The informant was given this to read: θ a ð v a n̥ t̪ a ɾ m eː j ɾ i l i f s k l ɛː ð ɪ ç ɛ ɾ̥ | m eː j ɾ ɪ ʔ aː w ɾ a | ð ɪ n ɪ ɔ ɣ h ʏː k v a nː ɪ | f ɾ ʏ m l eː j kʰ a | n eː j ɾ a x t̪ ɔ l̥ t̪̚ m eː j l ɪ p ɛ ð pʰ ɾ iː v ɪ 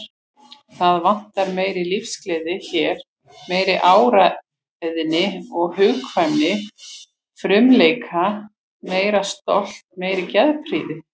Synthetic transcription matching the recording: θ a ð v a n̥ t̪ a ɾ m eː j ɾ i l i f s k l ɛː ð ɪ ç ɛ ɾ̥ | m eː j ɾ ɪ ʔ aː w ɾ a | ð ɪ n ɪ ɔ ɣ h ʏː k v a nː ɪ | f ɾ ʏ m l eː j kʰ a | m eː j ɾ a s t̪ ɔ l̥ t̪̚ m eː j ɾ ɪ c ɛ ð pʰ ɾ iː ð ɪ